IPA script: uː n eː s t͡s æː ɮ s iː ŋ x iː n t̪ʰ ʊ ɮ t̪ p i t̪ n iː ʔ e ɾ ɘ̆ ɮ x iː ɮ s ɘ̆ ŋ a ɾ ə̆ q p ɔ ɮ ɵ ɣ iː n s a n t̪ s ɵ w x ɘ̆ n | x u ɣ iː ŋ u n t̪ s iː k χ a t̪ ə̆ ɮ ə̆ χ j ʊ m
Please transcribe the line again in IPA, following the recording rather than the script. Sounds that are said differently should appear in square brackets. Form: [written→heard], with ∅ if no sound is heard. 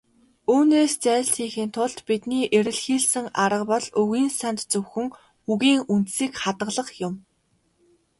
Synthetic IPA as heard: uː n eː s t͡s æː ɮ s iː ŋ x iː n t̪ʰ ʊ ɮ t̪ p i t̪ n iː ʔ e ɾ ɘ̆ ɮ x iː ɮ s ɘ̆ ŋ a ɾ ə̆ q p ɔ ɮ ɵ ɣ iː n s a n t̪ [s→t͡s] ɵ w x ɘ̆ [n→ŋ] | x u ɣ iː ŋ u n t̪ s iː k χ a t̪ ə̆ ɮ ə̆ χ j ʊ m